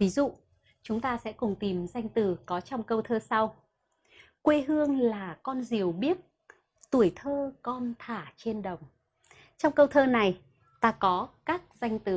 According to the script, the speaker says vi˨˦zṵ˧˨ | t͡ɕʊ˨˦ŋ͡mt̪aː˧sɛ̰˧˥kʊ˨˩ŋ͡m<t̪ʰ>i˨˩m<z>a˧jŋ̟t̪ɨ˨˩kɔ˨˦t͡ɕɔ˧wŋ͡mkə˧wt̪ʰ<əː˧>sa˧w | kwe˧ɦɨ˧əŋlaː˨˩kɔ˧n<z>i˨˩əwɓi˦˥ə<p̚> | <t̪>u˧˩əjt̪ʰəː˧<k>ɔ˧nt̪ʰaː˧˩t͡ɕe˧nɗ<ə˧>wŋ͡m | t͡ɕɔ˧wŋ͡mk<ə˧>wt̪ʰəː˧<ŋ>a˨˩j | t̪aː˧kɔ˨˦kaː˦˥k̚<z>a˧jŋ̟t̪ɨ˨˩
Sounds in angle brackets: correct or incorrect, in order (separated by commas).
incorrect, correct, correct, correct, incorrect, correct, correct, incorrect, correct, incorrect, correct